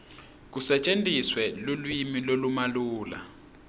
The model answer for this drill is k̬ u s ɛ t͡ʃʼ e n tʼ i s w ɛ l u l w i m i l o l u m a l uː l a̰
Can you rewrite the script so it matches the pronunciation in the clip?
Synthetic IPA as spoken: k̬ u s ɛ t͡ʃʼ e n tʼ i s w ɛ l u l w i m i l o l u m a l uː l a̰